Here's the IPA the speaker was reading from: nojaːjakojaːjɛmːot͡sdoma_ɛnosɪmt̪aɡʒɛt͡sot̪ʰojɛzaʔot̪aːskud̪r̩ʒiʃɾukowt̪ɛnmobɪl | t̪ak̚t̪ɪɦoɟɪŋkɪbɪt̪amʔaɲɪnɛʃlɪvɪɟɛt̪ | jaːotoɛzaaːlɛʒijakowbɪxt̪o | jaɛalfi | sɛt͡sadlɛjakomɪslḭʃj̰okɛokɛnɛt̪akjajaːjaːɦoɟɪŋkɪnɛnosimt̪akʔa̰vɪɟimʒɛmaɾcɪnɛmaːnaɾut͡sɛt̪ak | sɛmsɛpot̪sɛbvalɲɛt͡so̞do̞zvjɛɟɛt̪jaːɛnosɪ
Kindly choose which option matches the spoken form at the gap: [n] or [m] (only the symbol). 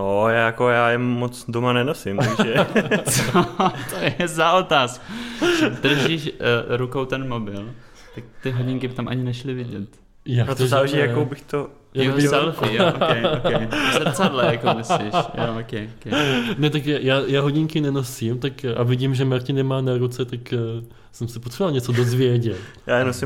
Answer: n